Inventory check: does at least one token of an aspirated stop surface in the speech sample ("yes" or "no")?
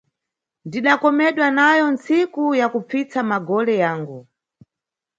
no